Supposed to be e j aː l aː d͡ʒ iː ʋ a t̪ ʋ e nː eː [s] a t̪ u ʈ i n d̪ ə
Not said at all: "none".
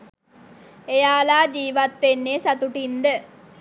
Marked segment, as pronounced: s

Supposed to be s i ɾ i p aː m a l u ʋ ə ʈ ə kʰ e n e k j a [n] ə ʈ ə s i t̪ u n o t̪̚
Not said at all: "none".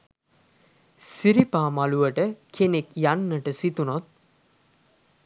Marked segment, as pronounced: nː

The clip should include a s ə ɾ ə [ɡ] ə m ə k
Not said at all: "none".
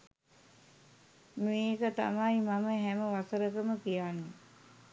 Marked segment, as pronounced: k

